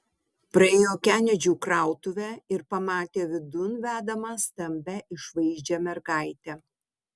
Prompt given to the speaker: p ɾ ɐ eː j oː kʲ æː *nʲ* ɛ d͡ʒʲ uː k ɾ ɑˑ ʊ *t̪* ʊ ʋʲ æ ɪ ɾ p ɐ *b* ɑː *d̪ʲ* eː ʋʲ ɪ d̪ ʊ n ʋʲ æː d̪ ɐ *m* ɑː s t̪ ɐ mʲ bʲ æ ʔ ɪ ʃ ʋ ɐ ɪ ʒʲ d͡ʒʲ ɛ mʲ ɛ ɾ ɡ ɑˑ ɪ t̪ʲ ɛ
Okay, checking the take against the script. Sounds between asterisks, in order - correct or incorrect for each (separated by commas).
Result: correct, correct, incorrect, incorrect, correct